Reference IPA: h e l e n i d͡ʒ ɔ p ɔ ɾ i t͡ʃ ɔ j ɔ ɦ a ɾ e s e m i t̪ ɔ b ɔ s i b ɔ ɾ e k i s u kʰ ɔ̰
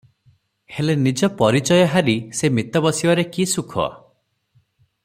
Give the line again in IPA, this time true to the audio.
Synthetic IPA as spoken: h e l e n i d͡ʒ ɔ p ɔ ɾ i t͡ʃ ɔ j ɔ ɦ a ɾ i s e m i t̪ ɔ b ɔ s i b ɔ ɾ e k i s u kʰ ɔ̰